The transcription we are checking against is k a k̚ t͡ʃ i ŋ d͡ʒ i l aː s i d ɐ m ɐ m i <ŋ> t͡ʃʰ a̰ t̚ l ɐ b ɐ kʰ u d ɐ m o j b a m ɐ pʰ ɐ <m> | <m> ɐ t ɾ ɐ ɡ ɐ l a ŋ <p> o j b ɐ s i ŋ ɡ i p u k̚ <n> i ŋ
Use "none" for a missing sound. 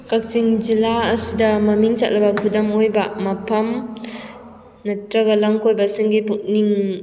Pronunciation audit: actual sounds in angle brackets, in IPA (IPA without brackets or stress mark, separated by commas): ŋ, m, n, k, n